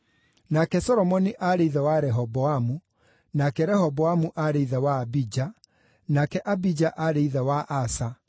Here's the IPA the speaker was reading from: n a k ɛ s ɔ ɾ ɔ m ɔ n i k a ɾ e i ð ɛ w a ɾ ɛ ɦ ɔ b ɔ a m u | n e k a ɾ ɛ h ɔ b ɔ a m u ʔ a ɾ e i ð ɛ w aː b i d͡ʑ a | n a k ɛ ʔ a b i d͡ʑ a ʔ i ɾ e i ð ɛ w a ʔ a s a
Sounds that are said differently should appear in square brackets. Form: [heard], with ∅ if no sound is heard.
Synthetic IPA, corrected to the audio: n a k ɛ s ɔ ɾ ɔ m ɔ n i [ʔ] a ɾ e i ð ɛ w a ɾ ɛ ɦ ɔ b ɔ a m u | n [a] k [ɛ] ɾ ɛ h ɔ b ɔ a m u ʔ a ɾ e i ð ɛ w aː b i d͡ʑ a | n a k ɛ ʔ a b i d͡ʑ a ʔ [a] ɾ e i ð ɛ w a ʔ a s a